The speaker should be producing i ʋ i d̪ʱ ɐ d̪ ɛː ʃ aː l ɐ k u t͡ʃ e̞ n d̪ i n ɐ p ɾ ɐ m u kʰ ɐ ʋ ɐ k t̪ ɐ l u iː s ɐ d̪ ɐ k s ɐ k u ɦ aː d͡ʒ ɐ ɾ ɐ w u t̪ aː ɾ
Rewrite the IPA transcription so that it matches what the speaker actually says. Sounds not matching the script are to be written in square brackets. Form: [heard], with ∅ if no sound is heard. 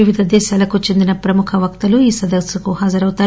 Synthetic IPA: i ʋ i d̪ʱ ɐ d̪ ɛː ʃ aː l ɐ k u t͡ʃ e̞ n d̪ i n ɐ p ɾ ɐ m u kʰ ɐ ʋ ɐ k t̪ ɐ l u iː s ɐ d̪ ɐ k s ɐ k u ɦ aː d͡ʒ ɐ ɾ ɐ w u t̪ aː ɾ